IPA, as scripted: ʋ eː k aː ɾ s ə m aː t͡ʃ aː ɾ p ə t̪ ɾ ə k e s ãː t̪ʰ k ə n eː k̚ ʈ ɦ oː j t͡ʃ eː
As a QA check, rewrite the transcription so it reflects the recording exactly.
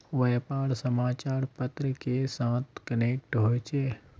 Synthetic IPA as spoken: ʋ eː p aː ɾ s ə m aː t͡ʃ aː ɾ p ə t̪ ɾ ə k e s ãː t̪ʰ k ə n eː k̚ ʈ ɦ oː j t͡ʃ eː